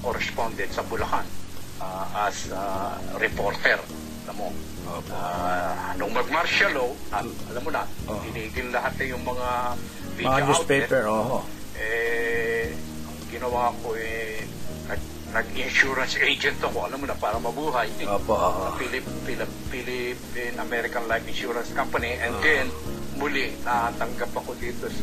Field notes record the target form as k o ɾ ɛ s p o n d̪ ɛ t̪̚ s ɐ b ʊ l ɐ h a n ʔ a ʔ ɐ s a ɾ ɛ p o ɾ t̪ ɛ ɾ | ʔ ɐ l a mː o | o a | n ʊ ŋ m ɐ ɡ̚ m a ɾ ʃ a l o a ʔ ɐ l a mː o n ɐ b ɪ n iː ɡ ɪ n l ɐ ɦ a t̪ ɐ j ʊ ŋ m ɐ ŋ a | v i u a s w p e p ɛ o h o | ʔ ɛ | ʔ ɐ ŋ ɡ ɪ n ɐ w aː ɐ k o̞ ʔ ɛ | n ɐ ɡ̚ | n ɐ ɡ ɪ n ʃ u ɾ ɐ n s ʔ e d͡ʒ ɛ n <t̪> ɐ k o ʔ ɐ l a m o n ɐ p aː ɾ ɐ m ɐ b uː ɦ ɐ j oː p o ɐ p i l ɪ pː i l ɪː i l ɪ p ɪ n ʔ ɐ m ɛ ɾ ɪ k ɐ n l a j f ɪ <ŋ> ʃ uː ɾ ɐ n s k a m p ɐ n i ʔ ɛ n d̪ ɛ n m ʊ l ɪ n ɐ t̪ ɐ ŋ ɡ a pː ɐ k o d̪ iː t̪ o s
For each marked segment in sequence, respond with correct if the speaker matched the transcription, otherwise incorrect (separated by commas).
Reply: correct, incorrect